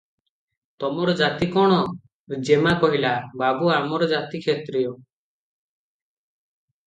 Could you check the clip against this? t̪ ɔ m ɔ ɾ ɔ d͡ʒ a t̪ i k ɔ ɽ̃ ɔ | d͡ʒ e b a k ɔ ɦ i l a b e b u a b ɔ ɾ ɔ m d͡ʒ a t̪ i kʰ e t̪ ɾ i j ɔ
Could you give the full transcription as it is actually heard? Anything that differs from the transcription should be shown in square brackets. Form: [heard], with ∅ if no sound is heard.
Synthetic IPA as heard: t̪ ɔ m ɔ ɾ ɔ d͡ʒ a t̪ i k ɔ ɽ̃ ɔ | d͡ʒ e [m] a k ɔ ɦ i l a b [a] b u a [m] ɔ ɾ ɔ [∅] d͡ʒ a t̪ i kʰ e t̪ ɾ i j ɔ